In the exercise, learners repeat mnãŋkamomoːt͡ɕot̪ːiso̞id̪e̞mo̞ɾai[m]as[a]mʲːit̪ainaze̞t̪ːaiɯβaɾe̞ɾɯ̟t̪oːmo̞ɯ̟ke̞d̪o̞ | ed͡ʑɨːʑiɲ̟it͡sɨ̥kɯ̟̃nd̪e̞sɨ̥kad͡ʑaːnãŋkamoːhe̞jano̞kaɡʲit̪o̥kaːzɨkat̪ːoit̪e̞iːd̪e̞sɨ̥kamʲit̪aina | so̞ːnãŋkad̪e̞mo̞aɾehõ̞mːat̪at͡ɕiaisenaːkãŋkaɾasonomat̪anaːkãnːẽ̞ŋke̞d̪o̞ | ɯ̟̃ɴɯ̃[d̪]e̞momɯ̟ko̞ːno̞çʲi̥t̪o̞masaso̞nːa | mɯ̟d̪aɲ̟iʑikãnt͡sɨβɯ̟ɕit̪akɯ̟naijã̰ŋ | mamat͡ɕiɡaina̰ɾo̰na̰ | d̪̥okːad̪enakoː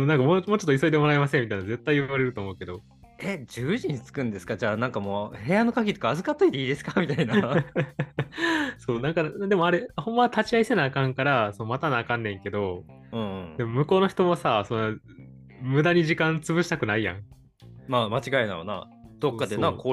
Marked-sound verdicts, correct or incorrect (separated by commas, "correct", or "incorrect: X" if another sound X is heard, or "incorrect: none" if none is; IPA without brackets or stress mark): correct, incorrect: e, correct